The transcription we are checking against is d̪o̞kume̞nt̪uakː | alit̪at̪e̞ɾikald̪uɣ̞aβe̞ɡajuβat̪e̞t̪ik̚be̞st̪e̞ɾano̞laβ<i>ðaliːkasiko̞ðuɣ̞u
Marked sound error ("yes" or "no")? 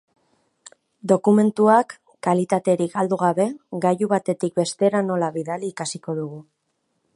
no